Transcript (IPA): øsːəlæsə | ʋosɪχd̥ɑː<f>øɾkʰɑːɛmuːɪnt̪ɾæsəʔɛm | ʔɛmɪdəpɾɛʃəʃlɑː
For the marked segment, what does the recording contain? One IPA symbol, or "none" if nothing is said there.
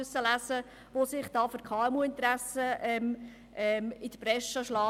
f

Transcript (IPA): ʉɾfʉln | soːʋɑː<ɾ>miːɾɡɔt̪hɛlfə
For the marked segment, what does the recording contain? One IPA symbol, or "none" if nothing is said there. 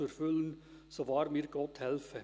ɾ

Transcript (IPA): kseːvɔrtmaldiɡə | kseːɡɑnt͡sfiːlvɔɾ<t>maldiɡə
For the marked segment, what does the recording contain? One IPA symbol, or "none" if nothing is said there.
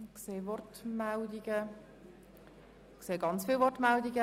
t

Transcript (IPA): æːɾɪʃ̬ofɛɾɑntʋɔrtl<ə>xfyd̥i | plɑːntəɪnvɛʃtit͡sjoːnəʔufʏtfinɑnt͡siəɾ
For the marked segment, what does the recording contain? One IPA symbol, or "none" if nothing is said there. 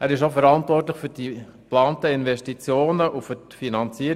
ə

